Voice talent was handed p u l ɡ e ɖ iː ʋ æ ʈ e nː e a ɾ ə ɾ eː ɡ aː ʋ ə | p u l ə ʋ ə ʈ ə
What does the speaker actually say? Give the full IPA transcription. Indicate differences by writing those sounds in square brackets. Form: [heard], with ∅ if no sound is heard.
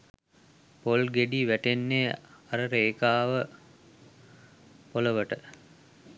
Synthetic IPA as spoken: p [o] l ɡ e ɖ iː ʋ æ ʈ e nː e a ɾ ə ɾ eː [k] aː ʋ ə | p [o] l ə ʋ ə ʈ ə